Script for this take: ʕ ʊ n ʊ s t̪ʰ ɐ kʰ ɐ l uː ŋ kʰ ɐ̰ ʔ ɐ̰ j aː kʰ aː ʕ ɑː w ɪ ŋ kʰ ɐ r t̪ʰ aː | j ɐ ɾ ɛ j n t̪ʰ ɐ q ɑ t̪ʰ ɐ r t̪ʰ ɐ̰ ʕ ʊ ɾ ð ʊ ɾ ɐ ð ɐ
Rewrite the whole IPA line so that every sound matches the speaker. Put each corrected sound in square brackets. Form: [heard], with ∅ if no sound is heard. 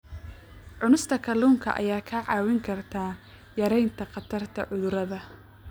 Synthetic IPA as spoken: ʕ ʊ n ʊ s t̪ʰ ɐ kʰ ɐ l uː ŋ kʰ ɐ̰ ʔ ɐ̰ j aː kʰ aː ʕ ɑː w ɪ ŋ kʰ ɐ r t̪ʰ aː | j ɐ ɾ ɛ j n t̪ʰ ɐ q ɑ t̪ʰ ɐ r t̪ʰ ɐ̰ ʕ ʊ [∅] ð ʊ ɾ ɐ ð ɐ

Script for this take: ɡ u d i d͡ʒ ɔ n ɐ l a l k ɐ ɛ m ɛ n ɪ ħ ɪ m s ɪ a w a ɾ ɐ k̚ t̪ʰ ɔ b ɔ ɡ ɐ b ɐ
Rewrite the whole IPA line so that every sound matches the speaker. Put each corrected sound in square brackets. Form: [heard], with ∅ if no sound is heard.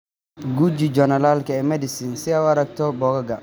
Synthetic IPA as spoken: ɡ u [d͡ʒ] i d͡ʒ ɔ n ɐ l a l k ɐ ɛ m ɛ [d] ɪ [s] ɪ [n] s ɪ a w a ɾ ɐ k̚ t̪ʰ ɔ b ɔ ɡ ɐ [ɡ] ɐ

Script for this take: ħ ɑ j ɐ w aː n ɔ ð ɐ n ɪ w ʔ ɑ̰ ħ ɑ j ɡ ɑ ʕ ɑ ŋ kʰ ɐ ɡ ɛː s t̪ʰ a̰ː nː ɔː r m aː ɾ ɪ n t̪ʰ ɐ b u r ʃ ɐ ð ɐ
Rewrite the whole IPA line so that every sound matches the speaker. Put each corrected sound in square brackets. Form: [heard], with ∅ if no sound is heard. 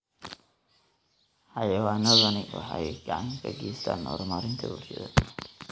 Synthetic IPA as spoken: ħ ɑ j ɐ w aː n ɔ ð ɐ n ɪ w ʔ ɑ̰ ħ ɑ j ɡ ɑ ʕ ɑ ŋ kʰ ɐ ɡ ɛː s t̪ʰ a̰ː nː ɔː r m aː ɾ ɪ n t̪ʰ ɐ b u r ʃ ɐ ð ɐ

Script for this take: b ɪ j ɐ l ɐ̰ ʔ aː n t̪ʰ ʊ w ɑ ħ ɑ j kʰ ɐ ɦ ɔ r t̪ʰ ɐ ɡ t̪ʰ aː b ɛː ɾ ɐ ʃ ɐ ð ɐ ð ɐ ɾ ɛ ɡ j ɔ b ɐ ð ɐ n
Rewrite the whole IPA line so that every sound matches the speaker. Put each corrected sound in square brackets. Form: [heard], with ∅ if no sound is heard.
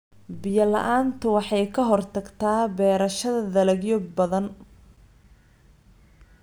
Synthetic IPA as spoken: b ɪ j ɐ l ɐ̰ ʔ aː n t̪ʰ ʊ w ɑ ħ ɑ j kʰ ɐ ɦ ɔ r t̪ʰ ɐ ɡ t̪ʰ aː b ɛː ɾ ɐ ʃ ɐ ð ɐ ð ɐ [l] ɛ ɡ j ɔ b ɐ ð ɐ n

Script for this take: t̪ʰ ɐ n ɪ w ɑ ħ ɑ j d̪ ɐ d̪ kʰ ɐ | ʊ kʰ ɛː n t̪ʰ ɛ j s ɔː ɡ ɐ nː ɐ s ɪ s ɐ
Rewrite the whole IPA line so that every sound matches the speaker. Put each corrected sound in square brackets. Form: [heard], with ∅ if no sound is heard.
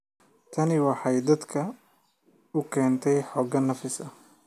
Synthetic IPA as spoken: t̪ʰ ɐ n ɪ w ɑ ħ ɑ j d̪ ɐ d̪ kʰ ɐ | ʊ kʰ ɛː n t̪ʰ ɛ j [ħ] ɔː ɡ ɐ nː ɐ [f] ɪ s ɐ

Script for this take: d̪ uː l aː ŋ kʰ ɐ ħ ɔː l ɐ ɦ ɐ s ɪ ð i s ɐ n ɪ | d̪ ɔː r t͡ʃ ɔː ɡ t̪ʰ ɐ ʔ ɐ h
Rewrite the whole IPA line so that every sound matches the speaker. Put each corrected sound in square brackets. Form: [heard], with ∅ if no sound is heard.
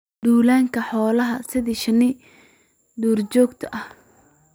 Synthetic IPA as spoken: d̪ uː l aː ŋ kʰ ɐ ħ ɔː l ɐ ɦ ɐ s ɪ ð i [ʃ] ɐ n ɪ | d̪ [uː] r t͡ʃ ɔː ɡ t̪ʰ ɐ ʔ ɐ h

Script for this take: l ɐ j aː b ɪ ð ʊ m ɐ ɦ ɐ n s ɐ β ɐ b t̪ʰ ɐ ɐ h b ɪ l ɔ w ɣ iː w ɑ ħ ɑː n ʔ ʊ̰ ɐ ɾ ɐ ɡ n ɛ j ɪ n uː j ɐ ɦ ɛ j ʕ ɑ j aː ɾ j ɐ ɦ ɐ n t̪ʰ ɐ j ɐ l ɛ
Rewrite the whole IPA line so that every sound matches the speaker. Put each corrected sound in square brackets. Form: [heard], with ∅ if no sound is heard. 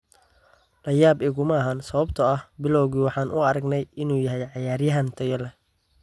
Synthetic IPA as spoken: l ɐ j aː b ɪ [ɣ] ʊ m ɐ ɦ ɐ n s ɐ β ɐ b t̪ʰ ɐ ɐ h b ɪ l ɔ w ɣ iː w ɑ ħ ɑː n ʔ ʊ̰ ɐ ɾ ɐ ɡ n ɛ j ɪ n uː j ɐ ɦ ɛ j ʕ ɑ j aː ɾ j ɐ ɦ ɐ n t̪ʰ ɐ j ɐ l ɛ

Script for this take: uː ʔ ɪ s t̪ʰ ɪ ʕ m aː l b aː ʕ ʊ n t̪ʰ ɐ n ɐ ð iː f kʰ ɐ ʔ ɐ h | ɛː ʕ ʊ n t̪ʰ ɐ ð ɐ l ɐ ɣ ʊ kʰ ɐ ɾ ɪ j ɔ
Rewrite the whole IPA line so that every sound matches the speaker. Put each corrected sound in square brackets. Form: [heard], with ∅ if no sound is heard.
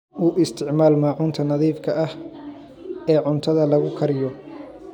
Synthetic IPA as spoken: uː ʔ ɪ s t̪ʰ ɪ ʕ m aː l [m] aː ʕ ʊ n t̪ʰ ɐ n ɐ ð iː f kʰ ɐ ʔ ɐ h | ɛː ʕ ʊ n t̪ʰ ɐ ð ɐ l ɐ ɣ ʊ kʰ ɐ ɾ ɪ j ɔ

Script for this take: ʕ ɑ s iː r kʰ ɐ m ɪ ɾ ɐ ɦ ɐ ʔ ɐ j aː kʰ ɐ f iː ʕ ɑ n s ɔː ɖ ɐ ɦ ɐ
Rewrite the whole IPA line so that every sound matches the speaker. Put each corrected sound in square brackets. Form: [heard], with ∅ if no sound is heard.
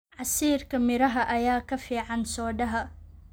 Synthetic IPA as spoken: ʕ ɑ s iː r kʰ ɐ m ɪ ɾ ɐ ɦ ɐ ʔ ɐ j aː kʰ ɐ f iː ʕ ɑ n s ɔː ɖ ɐ ɦ ɐ

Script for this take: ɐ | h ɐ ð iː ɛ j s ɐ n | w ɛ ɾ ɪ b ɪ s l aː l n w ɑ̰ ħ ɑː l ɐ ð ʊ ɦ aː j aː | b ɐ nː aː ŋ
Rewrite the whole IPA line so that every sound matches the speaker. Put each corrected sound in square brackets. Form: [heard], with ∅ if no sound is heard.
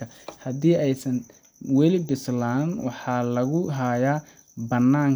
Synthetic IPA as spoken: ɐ | h ɐ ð iː ɛ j s ɐ n | w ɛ [l] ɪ b ɪ s l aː [∅] n w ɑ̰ ħ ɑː l ɐ [ɣ] ʊ ɦ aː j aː | b ɐ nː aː ŋ

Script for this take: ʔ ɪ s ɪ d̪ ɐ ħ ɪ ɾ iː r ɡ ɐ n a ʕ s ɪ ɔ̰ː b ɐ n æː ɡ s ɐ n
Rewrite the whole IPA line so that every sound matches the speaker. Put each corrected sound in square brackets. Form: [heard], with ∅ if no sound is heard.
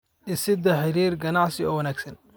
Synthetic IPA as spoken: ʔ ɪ s ɪ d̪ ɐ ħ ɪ ɾ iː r ɡ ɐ n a ʕ s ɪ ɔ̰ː [w] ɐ n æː ɡ s ɐ n

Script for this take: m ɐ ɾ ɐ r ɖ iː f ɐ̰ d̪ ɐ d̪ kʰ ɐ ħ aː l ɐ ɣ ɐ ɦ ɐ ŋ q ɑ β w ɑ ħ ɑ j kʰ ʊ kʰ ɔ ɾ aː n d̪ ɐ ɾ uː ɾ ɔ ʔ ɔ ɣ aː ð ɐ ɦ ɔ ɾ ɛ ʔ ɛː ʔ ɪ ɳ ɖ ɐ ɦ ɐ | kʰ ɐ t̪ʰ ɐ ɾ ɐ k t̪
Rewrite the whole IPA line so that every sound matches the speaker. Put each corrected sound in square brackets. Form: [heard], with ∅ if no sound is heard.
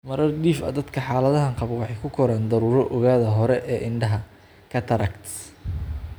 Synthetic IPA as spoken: m ɐ ɾ ɐ r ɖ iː f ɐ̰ d̪ ɐ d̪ kʰ ɐ ħ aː l ɐ [ð] ɐ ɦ ɐ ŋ q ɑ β w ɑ ħ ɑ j kʰ ʊ kʰ ɔ ɾ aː n d̪ ɐ ɾ uː ɾ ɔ ʔ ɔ ɣ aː ð ɐ ɦ ɔ ɾ ɛ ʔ ɛː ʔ ɪ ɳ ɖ ɐ ɦ ɐ | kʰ ɐ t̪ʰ ɐ ɾ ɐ k t̪

